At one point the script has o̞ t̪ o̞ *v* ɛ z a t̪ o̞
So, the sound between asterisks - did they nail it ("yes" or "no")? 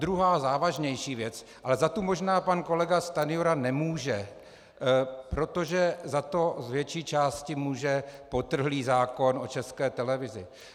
no